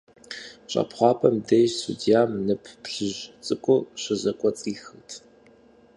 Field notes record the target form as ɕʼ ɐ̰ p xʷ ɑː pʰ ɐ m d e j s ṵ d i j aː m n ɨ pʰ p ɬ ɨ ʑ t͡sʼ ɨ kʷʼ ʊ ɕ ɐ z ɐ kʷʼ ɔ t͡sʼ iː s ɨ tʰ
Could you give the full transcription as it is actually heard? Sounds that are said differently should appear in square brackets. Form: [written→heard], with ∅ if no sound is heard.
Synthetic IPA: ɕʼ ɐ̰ p [xʷ→χʷ] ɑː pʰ ɐ m d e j s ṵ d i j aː m n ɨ pʰ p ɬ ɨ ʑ t͡sʼ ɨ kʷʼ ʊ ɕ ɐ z ɐ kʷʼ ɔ t͡sʼ iː [s→x] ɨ tʰ